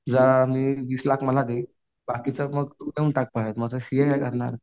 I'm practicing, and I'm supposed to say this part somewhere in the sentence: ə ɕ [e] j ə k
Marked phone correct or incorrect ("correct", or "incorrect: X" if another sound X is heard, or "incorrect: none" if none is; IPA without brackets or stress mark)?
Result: incorrect: i